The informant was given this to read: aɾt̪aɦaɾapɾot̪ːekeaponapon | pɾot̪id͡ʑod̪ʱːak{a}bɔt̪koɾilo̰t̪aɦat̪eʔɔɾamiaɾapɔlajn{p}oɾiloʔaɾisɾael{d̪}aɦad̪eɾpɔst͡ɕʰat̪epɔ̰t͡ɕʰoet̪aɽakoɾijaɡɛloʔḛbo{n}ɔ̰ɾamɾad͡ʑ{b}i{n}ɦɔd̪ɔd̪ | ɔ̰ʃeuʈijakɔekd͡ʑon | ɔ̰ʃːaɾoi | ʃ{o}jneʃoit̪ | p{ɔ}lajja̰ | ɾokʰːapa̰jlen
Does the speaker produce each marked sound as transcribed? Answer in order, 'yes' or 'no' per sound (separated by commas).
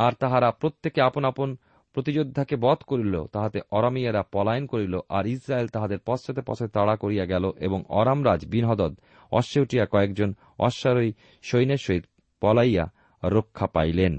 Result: no, no, no, no, yes, yes, yes, yes